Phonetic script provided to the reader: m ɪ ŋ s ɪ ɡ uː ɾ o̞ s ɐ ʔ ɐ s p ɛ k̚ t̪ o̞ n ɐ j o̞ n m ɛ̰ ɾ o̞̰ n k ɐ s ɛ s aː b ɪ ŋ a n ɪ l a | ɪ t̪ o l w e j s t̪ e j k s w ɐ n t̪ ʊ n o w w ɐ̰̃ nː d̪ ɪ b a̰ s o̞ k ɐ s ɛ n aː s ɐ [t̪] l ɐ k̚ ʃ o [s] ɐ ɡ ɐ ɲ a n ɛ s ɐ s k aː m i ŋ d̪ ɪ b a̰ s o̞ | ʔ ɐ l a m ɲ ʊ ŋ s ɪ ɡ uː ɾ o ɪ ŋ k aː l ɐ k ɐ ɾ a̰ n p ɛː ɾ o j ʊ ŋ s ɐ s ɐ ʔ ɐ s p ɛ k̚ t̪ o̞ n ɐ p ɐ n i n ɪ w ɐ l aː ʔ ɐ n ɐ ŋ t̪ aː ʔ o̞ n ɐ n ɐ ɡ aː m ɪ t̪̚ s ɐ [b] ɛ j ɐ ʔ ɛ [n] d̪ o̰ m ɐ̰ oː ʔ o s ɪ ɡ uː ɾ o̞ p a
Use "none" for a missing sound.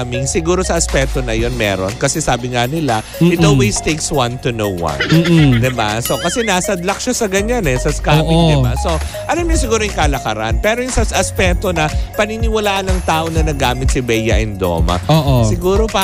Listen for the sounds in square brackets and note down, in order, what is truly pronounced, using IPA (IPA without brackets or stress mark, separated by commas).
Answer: d̪, s, b, n